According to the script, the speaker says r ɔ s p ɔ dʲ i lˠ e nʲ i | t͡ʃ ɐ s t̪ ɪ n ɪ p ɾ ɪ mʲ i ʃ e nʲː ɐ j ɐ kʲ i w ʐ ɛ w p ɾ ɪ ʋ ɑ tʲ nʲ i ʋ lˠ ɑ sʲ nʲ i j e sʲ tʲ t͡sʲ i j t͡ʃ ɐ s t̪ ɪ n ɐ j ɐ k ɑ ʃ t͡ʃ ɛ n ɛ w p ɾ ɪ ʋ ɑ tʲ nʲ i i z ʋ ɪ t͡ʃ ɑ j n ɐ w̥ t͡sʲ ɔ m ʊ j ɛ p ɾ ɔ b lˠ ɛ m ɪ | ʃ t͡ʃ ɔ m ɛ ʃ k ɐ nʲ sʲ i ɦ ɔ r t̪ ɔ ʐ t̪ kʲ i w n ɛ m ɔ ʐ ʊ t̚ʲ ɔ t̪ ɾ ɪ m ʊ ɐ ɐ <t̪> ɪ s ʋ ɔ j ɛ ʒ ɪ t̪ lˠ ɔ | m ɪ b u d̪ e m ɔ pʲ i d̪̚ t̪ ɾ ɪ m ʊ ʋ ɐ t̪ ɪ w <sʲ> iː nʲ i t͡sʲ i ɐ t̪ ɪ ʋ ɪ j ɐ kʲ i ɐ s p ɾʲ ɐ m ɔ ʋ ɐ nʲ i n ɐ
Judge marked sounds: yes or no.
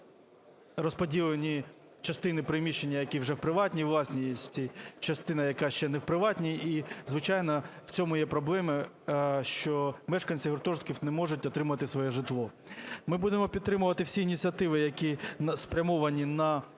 yes, yes

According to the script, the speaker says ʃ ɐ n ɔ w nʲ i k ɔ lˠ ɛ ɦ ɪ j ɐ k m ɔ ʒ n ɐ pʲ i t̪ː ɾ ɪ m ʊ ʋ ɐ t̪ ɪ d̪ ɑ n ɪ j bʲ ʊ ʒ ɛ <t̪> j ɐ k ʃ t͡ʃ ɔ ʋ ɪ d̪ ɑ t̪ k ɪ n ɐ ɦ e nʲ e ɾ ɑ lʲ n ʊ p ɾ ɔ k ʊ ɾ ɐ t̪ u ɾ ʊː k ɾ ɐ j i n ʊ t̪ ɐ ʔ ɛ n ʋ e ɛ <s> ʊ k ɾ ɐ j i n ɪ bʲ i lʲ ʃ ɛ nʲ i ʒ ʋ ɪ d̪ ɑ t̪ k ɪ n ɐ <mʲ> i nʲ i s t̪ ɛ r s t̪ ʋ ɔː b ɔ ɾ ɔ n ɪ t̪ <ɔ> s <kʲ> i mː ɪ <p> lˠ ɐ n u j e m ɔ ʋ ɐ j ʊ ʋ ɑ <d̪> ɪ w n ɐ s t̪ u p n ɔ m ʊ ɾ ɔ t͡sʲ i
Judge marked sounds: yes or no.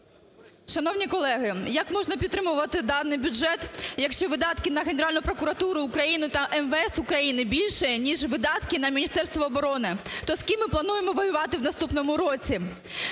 yes, yes, yes, yes, yes, yes, no

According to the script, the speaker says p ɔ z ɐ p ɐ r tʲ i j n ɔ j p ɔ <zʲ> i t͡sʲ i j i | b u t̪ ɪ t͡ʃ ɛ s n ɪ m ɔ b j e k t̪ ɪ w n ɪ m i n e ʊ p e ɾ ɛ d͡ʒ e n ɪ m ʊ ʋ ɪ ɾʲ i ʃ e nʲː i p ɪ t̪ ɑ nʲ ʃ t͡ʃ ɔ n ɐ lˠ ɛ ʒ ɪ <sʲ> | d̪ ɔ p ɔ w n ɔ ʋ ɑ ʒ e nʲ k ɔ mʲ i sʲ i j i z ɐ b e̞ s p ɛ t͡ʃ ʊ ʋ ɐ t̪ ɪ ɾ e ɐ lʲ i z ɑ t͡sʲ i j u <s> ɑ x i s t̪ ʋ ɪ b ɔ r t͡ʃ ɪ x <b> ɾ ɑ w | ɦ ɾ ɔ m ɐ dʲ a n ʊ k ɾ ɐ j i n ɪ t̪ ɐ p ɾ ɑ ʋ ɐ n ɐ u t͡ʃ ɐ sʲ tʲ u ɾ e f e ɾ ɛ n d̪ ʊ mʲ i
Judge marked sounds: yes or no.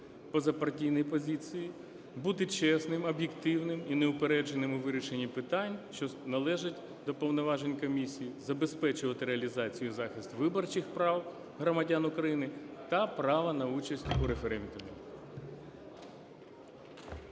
yes, no, no, no

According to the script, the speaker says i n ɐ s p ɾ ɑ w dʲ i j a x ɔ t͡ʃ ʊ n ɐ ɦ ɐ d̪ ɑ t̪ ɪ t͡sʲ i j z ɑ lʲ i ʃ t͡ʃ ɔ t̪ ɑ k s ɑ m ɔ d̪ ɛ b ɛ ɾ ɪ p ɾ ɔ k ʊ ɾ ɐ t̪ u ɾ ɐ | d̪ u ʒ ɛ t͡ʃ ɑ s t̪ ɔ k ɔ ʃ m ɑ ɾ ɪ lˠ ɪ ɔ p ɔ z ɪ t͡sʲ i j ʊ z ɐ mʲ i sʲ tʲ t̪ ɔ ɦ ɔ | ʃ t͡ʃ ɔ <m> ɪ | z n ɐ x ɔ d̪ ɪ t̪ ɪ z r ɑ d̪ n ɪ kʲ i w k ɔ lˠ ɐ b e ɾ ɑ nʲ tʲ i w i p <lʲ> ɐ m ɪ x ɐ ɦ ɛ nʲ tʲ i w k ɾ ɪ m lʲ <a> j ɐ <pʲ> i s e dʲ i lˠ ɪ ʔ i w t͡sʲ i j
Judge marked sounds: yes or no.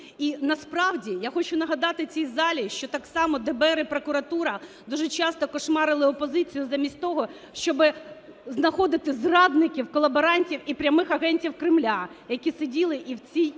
no, no, yes, no

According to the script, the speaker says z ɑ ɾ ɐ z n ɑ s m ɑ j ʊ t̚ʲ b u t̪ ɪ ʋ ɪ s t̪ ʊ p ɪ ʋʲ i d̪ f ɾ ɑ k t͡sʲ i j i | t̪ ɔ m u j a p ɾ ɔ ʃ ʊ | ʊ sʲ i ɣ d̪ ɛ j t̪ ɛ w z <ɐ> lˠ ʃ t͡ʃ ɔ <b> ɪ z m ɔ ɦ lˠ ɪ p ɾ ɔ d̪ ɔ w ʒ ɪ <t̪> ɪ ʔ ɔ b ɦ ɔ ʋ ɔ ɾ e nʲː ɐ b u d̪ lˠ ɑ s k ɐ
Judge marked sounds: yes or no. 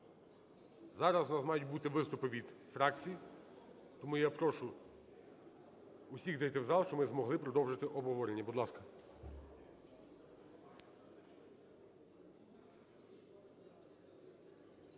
no, no, yes

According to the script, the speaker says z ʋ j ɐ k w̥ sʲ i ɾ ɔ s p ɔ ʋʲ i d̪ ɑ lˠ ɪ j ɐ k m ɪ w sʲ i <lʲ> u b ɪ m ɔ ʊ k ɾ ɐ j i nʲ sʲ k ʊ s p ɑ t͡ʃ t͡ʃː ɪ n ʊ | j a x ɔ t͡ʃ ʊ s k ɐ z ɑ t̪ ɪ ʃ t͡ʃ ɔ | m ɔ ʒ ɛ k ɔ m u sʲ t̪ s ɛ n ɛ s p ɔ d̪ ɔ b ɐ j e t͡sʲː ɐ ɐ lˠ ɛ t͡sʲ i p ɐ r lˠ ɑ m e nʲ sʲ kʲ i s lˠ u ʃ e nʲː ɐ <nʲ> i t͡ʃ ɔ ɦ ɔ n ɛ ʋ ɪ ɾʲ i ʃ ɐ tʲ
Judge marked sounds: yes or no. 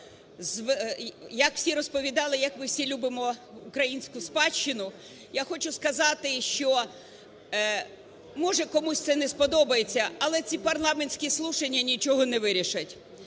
yes, yes

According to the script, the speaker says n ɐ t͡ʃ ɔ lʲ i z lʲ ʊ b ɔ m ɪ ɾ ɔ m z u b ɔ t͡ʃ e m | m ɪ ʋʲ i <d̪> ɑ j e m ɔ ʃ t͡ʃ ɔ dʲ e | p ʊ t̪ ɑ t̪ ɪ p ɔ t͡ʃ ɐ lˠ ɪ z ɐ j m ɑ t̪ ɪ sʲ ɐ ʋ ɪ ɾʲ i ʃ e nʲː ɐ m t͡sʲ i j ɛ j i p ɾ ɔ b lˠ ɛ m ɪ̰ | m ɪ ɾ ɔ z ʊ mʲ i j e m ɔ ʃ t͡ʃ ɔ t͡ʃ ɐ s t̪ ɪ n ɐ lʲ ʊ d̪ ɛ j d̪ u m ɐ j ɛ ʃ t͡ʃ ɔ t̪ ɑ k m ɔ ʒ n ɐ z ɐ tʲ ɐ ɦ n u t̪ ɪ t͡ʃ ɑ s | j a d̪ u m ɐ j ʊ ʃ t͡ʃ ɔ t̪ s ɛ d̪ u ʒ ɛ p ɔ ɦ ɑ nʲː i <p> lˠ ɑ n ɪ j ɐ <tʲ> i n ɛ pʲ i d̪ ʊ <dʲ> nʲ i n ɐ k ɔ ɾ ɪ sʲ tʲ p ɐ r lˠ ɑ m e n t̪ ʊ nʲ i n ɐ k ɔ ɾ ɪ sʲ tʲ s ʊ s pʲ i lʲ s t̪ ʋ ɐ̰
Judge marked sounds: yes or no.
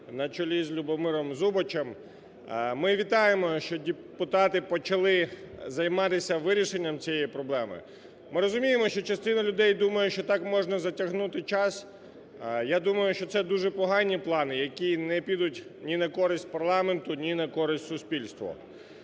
no, yes, no, no

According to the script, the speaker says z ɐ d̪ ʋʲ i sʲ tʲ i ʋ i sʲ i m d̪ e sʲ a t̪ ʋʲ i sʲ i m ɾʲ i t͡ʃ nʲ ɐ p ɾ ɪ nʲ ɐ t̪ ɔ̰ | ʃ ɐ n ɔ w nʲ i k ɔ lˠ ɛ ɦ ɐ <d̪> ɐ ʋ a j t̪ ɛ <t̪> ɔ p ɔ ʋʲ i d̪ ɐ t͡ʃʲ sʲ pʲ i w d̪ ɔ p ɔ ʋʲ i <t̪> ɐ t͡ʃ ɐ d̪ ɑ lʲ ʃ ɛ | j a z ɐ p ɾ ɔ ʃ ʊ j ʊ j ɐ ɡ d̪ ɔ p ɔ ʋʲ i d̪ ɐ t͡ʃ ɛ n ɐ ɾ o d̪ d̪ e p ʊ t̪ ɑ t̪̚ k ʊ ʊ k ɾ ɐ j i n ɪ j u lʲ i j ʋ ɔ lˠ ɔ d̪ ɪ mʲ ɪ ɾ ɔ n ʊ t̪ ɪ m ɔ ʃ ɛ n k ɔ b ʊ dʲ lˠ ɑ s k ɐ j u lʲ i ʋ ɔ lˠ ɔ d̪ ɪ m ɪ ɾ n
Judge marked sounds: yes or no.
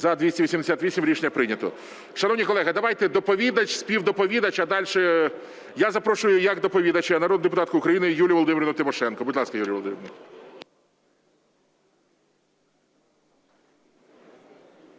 yes, no, no

